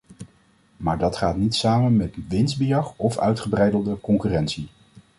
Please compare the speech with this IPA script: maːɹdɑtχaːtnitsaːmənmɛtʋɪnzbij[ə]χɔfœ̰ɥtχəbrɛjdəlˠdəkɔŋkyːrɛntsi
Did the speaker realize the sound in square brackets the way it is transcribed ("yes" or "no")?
no